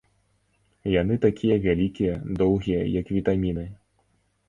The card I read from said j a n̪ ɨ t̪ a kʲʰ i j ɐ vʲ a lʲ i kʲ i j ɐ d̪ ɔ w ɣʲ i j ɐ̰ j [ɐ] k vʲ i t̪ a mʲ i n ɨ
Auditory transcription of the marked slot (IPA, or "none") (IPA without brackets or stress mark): ɐ